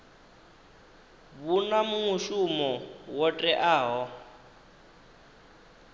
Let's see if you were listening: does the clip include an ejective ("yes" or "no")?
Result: yes